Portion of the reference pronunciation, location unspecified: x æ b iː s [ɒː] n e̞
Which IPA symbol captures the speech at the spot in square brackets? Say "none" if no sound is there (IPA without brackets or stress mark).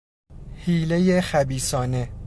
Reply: ɒː